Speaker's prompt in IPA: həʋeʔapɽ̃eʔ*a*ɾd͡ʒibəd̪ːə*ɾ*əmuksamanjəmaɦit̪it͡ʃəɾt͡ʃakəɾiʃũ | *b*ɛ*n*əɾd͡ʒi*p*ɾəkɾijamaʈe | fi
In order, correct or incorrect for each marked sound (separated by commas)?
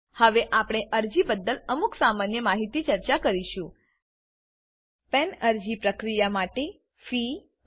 incorrect, incorrect, incorrect, correct, correct